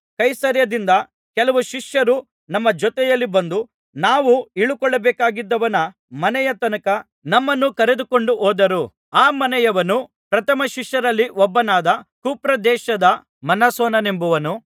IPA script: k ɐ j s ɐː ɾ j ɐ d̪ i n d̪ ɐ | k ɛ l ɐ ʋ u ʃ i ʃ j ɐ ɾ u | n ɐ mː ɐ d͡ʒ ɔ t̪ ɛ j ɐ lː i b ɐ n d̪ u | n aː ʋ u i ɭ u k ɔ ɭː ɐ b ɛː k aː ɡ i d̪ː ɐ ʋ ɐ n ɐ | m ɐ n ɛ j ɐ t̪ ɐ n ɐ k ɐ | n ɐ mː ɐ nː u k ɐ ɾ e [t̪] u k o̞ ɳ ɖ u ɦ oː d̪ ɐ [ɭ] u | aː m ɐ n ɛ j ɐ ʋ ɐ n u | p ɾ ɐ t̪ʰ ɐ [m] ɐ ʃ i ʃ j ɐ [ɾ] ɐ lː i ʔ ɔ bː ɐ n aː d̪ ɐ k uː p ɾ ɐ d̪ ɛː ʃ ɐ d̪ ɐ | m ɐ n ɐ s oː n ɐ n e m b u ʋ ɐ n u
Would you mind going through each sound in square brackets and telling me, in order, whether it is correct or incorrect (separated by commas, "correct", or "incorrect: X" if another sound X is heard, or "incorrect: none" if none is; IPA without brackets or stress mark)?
incorrect: d̪, incorrect: ɾ, correct, correct